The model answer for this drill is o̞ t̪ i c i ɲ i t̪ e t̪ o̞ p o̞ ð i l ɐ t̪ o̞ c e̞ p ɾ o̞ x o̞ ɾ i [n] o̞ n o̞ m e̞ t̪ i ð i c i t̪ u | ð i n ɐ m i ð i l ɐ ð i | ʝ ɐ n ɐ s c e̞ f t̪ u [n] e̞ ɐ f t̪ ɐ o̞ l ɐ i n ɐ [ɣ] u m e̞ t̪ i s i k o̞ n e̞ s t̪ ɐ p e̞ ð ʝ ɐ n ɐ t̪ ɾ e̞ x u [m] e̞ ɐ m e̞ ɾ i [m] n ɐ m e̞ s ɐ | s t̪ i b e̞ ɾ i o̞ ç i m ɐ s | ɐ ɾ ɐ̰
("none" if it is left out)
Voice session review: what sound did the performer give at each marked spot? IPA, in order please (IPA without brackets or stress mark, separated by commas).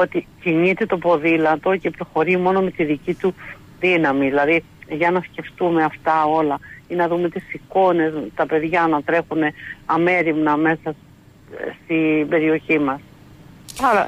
m, m, ð, n, m